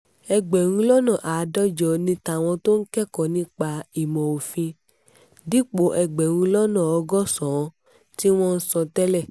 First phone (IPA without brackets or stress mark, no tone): ɛ